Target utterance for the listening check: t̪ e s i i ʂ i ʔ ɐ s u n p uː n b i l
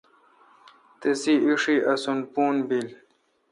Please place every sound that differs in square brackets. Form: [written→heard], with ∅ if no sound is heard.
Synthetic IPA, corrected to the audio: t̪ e s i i ʂ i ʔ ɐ s u n p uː n b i l